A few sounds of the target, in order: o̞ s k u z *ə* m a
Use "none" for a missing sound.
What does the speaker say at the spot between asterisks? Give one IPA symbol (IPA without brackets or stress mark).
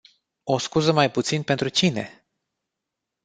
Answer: ə